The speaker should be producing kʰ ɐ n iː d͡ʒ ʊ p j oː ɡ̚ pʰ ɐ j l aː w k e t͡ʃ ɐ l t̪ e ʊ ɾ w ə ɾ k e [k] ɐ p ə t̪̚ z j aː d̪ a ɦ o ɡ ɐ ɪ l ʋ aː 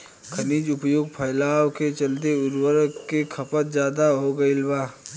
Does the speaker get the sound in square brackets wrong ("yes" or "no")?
yes